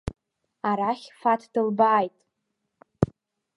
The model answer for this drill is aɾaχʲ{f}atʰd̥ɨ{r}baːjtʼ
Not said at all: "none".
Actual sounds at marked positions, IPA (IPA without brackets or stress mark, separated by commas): f, l